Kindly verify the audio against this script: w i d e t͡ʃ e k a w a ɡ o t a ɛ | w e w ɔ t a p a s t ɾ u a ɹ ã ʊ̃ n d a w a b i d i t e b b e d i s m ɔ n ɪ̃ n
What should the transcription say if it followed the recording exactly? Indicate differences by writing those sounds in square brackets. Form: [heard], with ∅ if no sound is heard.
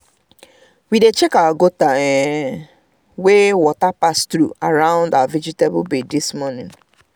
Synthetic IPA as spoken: w i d e t͡ʃ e k a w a ɡ o t a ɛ | w e w ɔ t a p a s t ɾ u a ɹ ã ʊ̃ n d a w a [v] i [d͡ʒ] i t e b b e d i s m ɔ n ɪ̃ n